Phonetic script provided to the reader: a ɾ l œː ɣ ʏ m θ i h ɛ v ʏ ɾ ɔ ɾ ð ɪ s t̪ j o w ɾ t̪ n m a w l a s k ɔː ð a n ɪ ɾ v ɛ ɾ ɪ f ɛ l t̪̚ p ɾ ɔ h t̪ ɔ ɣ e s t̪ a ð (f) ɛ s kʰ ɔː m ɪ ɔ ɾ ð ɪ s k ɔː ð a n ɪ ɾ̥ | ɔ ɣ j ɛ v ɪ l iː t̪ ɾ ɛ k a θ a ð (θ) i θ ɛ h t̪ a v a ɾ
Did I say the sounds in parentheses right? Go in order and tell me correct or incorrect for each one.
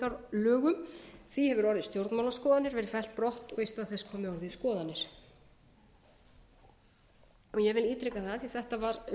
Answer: incorrect: θ, correct

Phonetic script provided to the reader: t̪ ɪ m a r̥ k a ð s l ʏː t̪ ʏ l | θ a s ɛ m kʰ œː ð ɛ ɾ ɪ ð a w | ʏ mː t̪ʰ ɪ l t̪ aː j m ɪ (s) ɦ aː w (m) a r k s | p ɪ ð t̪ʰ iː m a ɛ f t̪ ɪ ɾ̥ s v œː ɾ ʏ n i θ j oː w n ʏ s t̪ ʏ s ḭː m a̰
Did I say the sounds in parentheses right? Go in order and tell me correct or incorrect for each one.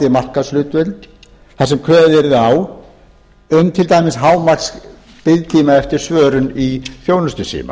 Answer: correct, correct

